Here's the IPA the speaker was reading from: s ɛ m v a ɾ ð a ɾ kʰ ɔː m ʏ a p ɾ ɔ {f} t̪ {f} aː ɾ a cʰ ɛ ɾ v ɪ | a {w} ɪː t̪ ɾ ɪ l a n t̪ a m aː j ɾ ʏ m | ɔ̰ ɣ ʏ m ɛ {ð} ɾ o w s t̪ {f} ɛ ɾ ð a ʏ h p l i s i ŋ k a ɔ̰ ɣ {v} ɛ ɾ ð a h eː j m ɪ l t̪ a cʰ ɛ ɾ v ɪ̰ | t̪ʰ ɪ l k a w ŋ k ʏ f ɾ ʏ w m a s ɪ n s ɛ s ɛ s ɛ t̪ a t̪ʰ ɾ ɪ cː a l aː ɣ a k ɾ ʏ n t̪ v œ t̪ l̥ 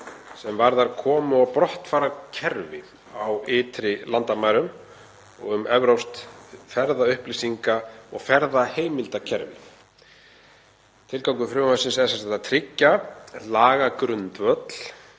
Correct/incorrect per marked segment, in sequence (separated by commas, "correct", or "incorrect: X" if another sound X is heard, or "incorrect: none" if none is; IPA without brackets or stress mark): incorrect: h, correct, correct, incorrect: v, correct, incorrect: f